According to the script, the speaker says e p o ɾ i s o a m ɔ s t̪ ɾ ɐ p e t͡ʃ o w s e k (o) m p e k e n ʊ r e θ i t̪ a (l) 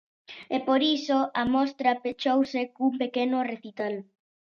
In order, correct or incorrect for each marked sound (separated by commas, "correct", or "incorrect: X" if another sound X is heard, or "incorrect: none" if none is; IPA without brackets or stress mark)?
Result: incorrect: u, correct